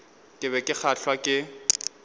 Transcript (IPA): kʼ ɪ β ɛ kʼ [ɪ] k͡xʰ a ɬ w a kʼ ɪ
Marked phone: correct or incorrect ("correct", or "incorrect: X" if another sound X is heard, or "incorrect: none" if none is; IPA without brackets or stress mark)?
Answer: correct